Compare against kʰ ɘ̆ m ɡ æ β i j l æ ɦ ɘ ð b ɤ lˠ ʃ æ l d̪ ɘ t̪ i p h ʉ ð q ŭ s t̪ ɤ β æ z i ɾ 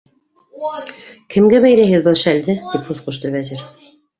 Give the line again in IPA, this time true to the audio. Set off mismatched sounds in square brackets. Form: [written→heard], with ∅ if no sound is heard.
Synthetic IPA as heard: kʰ ɘ̆ m ɡ æ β [i→æ] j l æ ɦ ɘ ð b ɤ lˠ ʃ æ l d̪ ɘ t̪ i p h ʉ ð q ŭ [s→ʃ] t̪ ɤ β æ z i ɾ